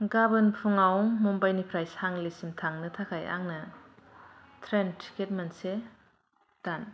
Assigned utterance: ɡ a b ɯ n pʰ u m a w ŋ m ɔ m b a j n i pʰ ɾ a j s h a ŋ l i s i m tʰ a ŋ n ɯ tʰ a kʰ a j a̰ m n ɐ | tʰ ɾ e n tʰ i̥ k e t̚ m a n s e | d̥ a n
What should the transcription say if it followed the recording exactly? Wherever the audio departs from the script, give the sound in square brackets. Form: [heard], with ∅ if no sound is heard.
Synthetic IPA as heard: ɡ a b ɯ n pʰ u [ŋ] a w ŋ m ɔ m b a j n i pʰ ɾ a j s h a ŋ l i s i m tʰ a ŋ n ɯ tʰ a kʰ a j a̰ [ŋ] n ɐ | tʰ ɾ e n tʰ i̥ k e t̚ m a n s e | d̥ a n